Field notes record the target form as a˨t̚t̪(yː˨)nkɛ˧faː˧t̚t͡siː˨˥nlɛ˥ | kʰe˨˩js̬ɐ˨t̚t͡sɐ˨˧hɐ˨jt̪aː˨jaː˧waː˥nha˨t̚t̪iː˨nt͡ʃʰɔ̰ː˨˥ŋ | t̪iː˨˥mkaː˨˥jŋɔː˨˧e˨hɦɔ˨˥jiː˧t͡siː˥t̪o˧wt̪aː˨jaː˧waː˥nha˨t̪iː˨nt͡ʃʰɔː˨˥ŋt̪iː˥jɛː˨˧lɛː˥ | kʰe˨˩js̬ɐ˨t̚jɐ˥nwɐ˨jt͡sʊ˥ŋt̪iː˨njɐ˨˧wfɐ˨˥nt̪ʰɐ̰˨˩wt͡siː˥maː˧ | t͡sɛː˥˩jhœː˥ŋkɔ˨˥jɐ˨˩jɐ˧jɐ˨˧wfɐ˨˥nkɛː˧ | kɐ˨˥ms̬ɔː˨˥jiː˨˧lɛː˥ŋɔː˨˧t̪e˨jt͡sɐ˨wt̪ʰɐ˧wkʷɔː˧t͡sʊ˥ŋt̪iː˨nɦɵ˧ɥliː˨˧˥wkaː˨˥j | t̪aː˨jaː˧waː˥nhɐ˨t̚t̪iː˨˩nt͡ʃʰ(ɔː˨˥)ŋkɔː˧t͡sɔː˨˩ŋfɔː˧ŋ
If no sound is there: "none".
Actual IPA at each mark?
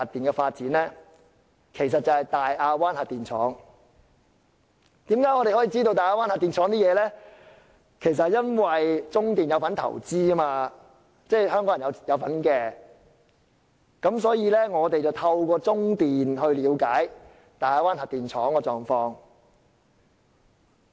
iː˨, ɔː˨˥

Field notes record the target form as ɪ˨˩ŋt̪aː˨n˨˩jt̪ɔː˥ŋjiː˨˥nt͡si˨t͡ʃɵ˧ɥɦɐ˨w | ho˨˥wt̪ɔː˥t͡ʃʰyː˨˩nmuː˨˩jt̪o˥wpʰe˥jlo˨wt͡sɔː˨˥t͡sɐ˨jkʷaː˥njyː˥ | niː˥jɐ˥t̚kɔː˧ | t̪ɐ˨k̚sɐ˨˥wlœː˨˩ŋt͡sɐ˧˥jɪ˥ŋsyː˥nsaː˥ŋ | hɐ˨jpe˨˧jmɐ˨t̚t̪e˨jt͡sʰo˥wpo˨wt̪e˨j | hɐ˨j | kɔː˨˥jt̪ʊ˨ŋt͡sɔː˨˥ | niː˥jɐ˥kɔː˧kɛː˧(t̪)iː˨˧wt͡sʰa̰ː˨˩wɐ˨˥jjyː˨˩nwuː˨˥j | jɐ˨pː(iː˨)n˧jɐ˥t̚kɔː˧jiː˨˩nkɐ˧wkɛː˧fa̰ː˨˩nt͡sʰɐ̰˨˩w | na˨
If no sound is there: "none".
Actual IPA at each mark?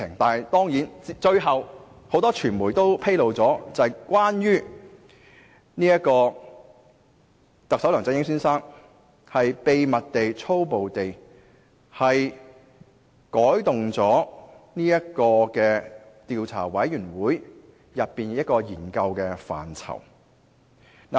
t̪, iː˨

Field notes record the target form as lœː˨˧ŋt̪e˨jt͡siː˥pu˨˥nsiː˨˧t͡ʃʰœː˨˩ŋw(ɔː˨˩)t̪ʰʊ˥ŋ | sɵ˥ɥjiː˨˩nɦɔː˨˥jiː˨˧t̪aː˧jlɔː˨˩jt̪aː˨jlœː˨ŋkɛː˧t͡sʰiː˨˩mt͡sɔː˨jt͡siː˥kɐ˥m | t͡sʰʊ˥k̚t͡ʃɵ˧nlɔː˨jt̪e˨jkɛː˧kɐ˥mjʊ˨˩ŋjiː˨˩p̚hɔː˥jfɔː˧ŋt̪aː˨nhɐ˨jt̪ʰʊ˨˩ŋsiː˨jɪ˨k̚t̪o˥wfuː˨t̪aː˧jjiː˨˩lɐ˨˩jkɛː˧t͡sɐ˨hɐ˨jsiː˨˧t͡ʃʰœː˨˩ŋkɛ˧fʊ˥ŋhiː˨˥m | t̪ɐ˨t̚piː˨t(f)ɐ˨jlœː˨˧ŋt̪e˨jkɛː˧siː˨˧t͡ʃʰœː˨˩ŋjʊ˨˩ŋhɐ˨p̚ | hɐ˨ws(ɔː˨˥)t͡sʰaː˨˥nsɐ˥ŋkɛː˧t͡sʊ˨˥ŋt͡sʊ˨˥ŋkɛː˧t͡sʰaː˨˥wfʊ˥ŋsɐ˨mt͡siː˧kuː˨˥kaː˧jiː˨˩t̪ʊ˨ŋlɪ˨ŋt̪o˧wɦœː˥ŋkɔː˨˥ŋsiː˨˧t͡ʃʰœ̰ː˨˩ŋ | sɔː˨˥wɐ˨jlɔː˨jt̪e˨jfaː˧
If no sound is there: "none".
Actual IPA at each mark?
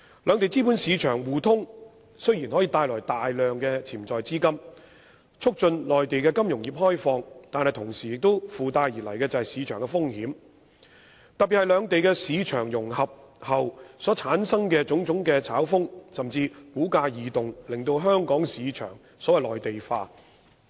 uː˨˩, h, ɔː˨˥

